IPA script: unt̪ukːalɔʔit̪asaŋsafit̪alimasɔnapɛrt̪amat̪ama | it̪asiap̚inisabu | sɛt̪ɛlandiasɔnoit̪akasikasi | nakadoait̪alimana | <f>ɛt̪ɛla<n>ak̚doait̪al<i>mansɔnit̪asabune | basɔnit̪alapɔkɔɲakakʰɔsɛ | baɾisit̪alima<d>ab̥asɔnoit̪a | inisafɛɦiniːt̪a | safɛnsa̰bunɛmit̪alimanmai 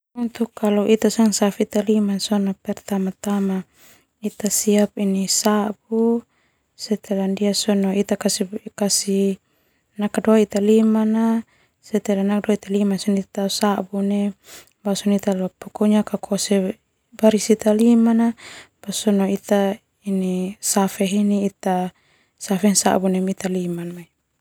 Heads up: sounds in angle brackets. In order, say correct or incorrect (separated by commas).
incorrect, correct, correct, incorrect